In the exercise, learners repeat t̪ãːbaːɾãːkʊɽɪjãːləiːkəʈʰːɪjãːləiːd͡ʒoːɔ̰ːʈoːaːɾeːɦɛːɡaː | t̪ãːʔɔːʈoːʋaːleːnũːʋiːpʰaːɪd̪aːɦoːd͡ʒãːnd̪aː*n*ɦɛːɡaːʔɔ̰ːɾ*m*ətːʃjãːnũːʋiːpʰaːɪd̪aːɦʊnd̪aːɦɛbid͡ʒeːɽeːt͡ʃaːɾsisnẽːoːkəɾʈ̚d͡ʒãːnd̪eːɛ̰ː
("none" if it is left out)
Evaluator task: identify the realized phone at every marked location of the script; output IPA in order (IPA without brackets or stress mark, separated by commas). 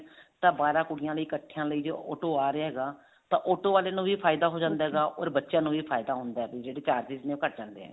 none, b